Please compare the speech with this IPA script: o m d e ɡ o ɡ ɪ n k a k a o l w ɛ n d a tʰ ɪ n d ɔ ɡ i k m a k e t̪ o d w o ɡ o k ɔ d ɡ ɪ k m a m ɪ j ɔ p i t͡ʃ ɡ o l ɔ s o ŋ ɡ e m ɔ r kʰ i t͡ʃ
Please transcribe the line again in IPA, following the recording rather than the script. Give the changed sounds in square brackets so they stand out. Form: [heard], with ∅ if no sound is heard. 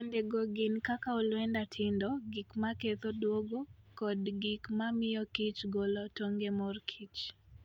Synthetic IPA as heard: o [n] d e ɡ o ɡ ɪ n k a k a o l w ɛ n d a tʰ ɪ n d ɔ ɡ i k m a k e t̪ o d w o ɡ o k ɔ d ɡ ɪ k m a m ɪ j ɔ [k] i t͡ʃ ɡ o l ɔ [t] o ŋ ɡ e m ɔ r kʰ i t͡ʃ